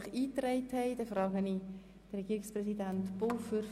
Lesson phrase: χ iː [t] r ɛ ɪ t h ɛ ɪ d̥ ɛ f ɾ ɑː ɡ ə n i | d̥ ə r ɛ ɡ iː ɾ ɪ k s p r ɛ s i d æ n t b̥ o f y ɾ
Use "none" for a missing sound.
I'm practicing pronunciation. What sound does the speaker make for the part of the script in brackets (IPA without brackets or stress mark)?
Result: t